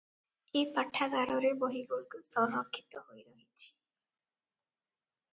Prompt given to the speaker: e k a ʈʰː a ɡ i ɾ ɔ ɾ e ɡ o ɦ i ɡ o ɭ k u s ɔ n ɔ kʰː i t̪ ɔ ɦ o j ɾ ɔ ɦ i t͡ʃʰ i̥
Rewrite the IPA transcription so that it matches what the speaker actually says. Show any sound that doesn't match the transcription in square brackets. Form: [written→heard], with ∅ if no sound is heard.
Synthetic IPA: e [k→p] a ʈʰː a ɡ [i→a] ɾ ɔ ɾ e [ɡ→b] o ɦ i ɡ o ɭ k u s ɔ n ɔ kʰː i t̪ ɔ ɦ o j ɾ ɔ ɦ i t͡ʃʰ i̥

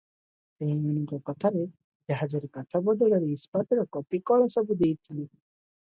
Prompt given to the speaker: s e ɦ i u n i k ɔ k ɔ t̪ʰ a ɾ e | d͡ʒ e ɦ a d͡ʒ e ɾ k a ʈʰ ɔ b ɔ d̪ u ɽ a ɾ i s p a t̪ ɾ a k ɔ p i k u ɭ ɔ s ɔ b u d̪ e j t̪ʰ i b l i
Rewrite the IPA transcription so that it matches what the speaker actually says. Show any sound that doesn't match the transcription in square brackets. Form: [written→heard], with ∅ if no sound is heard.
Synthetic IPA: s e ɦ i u n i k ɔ k ɔ t̪ʰ a ɾ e | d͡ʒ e ɦ a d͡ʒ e ɾ k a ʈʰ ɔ b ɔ d̪ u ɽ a ɾ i s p a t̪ ɾ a k ɔ p i k [u→ɔ] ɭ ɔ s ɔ b u d̪ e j t̪ʰ i [b→∅] l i

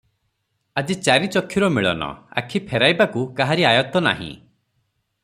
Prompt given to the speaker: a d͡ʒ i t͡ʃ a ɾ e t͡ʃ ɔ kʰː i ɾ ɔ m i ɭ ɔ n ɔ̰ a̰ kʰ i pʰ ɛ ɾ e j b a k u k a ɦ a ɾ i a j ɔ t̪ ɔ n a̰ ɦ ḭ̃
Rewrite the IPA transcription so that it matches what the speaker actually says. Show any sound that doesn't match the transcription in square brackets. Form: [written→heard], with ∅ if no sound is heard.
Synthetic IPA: a d͡ʒ i t͡ʃ a ɾ [e→i] t͡ʃ ɔ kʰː i ɾ ɔ m i ɭ ɔ n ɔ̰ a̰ kʰ i pʰ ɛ ɾ [e→a] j b a k u k a ɦ a ɾ i a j ɔ t̪ ɔ n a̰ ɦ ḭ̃

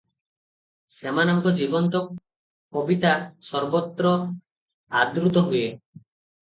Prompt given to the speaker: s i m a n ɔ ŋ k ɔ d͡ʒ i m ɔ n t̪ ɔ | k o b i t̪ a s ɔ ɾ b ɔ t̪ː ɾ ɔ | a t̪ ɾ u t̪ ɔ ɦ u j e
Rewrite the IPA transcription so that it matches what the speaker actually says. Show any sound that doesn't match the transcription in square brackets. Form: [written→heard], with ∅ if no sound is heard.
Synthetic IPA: s [i→e] m a n ɔ ŋ k ɔ d͡ʒ i [m→b] ɔ n t̪ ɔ | k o b i t̪ a s ɔ ɾ b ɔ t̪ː ɾ ɔ | a [t̪→d̪] ɾ u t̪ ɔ ɦ u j e

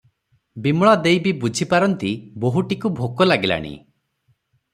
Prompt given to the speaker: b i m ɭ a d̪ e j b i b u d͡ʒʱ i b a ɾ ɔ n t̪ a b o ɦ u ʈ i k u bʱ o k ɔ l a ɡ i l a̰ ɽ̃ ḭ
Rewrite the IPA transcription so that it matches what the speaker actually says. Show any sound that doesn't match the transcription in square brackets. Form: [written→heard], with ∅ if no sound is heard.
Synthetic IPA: b i m ɭ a d̪ e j b i b u d͡ʒʱ i [b→p] a ɾ ɔ n t̪ [a→i] b o ɦ u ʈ i k u bʱ o k ɔ l a ɡ i l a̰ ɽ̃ ḭ

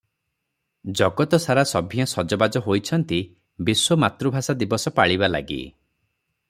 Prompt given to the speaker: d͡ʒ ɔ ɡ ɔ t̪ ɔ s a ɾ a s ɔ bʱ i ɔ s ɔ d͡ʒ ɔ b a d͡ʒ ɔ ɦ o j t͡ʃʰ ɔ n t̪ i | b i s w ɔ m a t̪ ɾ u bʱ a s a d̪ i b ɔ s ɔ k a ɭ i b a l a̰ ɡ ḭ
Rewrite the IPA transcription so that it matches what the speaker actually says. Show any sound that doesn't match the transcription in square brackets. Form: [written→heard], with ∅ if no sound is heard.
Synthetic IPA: d͡ʒ ɔ ɡ ɔ t̪ ɔ s a ɾ a s ɔ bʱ i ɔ s ɔ d͡ʒ ɔ b a d͡ʒ ɔ ɦ o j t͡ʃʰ ɔ n t̪ i | b i s w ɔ m a t̪ ɾ u bʱ a s a d̪ i b ɔ s ɔ [k→p] a ɭ i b a l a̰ ɡ ḭ

